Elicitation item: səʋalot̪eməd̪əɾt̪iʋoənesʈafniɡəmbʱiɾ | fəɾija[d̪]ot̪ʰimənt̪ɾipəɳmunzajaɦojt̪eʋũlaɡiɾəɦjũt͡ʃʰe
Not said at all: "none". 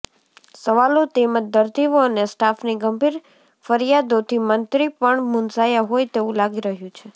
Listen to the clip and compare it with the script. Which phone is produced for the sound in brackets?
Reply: d̪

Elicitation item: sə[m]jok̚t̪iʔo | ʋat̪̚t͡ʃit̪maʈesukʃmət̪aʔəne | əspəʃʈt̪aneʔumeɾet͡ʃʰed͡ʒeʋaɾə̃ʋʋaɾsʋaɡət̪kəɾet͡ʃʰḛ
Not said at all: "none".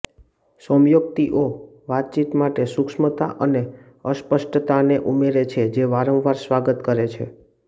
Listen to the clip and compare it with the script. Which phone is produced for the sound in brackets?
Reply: m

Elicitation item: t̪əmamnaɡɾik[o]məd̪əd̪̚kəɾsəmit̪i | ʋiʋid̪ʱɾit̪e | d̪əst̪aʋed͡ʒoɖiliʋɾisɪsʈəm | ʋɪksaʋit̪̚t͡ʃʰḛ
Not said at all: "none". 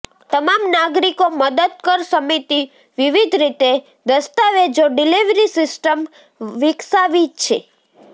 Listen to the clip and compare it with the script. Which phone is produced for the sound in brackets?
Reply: o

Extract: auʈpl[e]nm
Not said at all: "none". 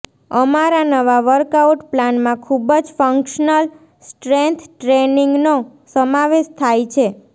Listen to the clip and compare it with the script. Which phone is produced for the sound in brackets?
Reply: a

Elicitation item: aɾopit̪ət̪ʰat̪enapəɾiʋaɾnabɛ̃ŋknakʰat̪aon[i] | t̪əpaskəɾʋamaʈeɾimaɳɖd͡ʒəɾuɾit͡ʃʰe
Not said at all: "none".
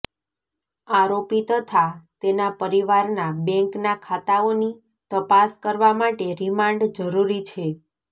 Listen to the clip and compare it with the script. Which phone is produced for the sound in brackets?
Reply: i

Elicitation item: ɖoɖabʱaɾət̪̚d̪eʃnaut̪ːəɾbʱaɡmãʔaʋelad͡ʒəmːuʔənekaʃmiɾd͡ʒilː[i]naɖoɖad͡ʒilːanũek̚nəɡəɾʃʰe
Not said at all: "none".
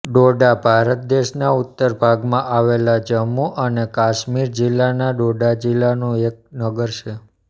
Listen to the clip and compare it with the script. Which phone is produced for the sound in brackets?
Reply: a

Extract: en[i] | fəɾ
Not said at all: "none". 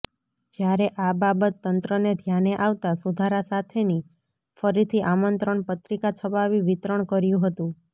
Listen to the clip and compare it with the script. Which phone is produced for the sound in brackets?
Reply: i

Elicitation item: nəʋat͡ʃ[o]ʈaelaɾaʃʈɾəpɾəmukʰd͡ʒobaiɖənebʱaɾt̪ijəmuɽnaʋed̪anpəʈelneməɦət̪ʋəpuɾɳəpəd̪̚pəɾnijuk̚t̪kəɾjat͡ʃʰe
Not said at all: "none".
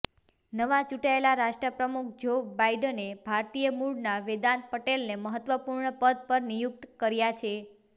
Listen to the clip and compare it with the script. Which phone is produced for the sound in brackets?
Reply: u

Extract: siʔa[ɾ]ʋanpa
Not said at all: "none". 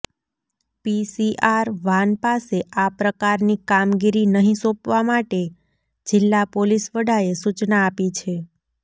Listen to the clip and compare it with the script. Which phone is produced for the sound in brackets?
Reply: ɾ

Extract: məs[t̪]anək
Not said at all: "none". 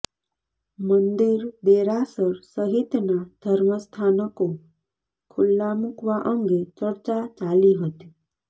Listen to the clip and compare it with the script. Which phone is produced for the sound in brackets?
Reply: t̪ʰ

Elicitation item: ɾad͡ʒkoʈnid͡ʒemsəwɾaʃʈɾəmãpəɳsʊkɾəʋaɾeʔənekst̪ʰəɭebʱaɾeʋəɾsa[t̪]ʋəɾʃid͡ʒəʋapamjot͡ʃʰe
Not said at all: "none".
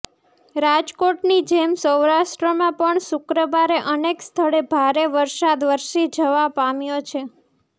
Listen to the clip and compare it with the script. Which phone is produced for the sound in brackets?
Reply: d̪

